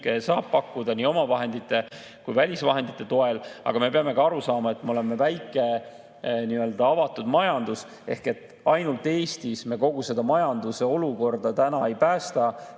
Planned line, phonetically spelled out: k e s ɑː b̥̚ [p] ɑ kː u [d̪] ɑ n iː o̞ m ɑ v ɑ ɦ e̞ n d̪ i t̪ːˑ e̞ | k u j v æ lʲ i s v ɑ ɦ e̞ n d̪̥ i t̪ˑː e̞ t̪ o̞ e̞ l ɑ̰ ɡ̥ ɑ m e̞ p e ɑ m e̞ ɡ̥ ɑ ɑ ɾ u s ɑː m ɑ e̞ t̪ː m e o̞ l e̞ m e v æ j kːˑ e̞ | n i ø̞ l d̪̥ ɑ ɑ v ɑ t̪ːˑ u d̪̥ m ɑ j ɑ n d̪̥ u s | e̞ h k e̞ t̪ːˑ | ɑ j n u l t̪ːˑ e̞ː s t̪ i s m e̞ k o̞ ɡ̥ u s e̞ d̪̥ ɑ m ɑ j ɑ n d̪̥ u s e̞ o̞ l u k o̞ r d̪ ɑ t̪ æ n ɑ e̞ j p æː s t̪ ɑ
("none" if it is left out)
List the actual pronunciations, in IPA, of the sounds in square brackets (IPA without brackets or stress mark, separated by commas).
p, d̪